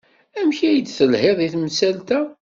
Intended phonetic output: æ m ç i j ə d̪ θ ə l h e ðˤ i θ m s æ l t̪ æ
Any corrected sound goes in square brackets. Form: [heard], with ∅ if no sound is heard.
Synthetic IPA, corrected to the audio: æ m ç [æ] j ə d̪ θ ə l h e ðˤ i θ m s æ l t̪ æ